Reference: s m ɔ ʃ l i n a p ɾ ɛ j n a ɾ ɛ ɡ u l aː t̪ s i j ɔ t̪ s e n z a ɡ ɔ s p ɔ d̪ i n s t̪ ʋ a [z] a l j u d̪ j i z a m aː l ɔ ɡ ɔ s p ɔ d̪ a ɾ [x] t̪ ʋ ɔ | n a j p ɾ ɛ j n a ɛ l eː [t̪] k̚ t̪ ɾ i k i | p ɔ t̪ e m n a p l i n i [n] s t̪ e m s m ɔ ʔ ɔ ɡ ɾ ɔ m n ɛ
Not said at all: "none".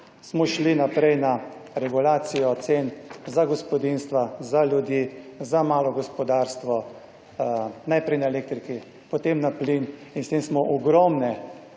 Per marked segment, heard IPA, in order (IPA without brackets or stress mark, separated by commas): z, s, none, n